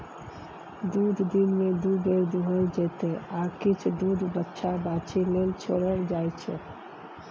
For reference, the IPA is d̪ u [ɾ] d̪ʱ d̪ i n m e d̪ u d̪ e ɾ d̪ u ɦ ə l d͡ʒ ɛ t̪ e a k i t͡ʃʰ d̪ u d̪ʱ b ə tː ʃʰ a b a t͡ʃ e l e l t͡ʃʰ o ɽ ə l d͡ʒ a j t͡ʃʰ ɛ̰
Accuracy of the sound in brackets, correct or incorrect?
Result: incorrect